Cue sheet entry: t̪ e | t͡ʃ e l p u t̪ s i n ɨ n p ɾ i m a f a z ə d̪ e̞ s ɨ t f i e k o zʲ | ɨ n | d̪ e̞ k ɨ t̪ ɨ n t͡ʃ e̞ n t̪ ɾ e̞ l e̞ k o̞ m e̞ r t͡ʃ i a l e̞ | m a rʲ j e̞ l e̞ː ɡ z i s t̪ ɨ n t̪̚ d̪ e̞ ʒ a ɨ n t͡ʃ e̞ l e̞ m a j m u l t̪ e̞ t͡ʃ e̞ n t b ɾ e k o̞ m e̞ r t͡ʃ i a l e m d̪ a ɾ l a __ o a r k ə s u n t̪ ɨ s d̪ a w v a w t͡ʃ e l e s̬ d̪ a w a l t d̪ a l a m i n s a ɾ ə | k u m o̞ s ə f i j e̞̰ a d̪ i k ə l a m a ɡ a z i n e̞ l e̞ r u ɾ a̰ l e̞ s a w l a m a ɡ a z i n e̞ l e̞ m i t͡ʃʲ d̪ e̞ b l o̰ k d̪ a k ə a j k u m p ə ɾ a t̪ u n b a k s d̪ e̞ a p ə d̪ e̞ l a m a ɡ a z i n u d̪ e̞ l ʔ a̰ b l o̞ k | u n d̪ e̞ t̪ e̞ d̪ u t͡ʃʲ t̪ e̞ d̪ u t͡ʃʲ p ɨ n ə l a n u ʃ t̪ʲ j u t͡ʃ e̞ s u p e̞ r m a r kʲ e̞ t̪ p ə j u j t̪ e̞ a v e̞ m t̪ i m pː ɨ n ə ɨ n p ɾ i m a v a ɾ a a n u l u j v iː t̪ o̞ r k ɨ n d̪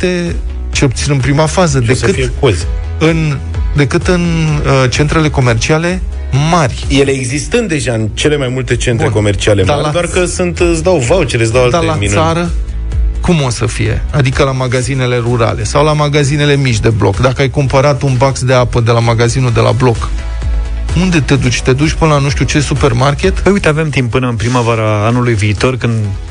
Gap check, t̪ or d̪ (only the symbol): d̪